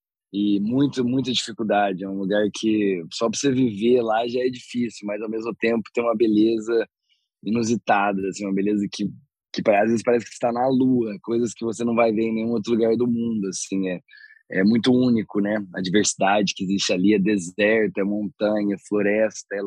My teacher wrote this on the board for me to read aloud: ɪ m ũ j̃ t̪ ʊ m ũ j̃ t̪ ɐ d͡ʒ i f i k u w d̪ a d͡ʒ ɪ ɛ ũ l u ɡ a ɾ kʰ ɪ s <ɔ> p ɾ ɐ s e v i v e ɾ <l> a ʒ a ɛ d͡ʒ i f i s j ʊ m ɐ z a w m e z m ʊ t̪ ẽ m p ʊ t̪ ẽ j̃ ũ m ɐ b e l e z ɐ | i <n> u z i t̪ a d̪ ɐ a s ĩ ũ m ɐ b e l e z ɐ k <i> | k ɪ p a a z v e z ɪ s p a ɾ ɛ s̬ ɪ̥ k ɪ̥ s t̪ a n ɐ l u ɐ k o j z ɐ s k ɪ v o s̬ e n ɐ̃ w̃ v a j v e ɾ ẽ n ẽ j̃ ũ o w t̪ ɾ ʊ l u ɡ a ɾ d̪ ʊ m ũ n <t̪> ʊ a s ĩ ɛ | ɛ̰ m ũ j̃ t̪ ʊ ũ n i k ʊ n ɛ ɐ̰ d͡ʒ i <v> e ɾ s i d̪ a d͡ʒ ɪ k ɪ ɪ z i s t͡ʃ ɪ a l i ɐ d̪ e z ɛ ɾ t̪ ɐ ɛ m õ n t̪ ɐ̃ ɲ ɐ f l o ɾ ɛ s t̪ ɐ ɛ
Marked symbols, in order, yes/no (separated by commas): yes, yes, yes, no, no, yes